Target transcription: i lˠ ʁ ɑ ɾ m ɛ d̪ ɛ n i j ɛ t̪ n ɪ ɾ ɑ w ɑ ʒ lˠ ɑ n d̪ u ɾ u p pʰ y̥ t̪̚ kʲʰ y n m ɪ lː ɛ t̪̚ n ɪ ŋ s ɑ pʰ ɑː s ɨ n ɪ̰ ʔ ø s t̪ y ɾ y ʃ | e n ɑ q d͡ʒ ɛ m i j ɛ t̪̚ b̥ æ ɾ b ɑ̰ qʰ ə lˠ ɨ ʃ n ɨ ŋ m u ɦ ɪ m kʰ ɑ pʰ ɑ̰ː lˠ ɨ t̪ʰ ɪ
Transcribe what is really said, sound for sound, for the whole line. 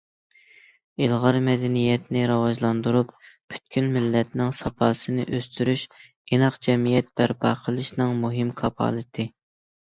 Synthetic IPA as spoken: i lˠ ʁ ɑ ɾ m ɛ d̪ ɛ n i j ɛ t̪ n ɪ ɾ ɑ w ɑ ʒ lˠ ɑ n d̪ u ɾ u p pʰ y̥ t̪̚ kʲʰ y n m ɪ lː ɛ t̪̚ n ɪ ŋ s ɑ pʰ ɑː s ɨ n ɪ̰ ʔ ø s t̪ y ɾ y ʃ | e n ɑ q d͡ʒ ɛ m i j ɛ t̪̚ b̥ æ ɾ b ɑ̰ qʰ ə lˠ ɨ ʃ n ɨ ŋ m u ɦ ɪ m kʰ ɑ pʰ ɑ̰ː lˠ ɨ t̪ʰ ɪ

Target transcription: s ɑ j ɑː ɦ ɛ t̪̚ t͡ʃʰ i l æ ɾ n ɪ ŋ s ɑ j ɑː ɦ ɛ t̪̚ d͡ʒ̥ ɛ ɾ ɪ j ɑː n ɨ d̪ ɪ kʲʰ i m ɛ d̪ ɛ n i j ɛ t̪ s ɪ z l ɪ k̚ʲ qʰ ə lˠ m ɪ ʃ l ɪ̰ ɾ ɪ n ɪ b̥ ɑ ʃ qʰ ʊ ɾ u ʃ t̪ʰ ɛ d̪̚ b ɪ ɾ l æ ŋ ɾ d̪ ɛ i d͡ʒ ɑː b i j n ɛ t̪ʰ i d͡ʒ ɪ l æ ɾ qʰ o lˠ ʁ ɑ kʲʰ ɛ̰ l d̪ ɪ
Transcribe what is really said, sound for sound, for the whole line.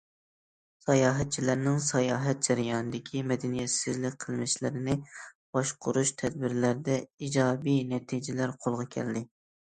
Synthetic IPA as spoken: s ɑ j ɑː ɦ ɛ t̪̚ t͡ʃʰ i l æ ɾ n ɪ ŋ s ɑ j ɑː ɦ ɛ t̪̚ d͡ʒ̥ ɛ ɾ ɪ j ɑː n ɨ d̪ ɪ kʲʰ i m ɛ d̪ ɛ n i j ɛ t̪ s ɪ z l ɪ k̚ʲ qʰ ə lˠ m ɪ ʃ l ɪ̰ ɾ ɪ n ɪ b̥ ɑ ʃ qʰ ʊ ɾ u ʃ t̪ʰ ɛ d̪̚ b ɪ ɾ l æ ɾ d̪ ɛ i d͡ʒ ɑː b i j n ɛ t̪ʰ i d͡ʒ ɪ l æ ɾ qʰ o lˠ ʁ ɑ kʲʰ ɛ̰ l d̪ ɪ

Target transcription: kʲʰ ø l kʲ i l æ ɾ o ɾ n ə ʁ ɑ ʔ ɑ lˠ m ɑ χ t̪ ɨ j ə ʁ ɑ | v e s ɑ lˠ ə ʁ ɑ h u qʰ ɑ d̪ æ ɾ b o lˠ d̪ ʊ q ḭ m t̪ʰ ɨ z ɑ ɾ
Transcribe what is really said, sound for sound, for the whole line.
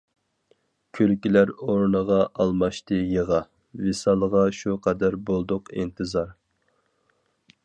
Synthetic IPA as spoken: kʲʰ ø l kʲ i l æ ɾ o ɾ n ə ʁ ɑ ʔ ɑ lˠ m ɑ ʃ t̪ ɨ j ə ʁ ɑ | v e s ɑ lˠ ə ʁ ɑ ʃ u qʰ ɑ d̪ æ ɾ b o lˠ d̪ ʊ q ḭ n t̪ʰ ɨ z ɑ ɾ

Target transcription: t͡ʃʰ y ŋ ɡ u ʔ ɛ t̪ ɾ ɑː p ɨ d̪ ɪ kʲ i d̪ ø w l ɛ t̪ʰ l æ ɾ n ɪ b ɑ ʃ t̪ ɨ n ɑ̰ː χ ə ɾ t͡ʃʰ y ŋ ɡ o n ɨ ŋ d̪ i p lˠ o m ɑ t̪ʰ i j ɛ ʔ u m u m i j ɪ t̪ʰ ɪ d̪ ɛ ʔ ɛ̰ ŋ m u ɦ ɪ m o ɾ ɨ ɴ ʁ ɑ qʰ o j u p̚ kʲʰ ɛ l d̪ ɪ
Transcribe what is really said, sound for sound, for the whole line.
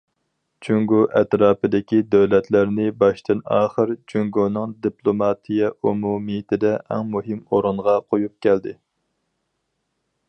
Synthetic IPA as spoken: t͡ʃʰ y ŋ ɡ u ʔ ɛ t̪ ɾ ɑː p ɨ d̪ ɪ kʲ i d̪ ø w l ɛ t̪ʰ l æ ɾ n ɪ b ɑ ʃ t̪ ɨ n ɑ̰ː χ ə ɾ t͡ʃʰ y ŋ ɡ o n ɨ ŋ d̪ i p lˠ o m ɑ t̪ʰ i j ɛ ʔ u m u m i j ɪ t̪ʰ ɪ d̪ ɛ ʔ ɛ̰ ŋ m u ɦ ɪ m o ɾ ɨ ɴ ʁ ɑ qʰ o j u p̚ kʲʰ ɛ l d̪ ɪ

